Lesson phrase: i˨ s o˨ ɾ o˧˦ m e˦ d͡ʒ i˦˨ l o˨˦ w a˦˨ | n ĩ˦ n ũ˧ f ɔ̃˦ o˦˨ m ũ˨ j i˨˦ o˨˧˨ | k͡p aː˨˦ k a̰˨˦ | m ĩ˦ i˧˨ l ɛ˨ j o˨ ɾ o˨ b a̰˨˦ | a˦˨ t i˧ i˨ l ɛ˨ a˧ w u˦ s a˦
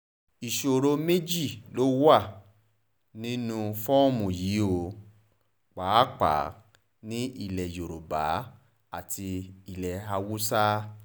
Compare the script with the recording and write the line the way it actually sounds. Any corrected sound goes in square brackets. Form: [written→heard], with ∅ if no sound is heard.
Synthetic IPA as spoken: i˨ [s→ʃ] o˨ ɾ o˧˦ m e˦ d͡ʒ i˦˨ l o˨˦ w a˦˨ | n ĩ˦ n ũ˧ f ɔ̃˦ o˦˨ m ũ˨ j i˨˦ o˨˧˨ | k͡p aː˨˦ [k→k͡p] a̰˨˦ | [m→n] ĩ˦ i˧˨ l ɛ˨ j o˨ ɾ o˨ b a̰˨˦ | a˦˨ t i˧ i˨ l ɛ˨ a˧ w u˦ s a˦